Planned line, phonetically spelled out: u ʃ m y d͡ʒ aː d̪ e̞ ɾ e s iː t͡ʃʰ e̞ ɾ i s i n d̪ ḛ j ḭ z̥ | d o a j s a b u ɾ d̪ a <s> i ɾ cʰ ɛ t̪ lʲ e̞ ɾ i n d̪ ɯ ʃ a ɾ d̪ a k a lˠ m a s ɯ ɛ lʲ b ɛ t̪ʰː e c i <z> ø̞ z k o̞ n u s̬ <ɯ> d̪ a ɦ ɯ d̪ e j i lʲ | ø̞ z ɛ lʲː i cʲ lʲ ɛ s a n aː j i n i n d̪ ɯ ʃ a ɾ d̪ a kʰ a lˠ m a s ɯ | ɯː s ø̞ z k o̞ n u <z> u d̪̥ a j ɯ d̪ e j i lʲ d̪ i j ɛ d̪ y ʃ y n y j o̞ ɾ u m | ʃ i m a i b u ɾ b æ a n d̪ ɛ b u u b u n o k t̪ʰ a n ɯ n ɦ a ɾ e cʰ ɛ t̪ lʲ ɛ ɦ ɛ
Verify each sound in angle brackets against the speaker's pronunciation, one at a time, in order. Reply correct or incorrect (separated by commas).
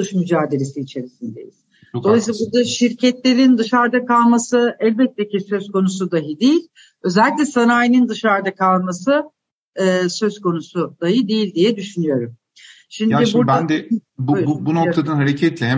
incorrect, incorrect, incorrect, incorrect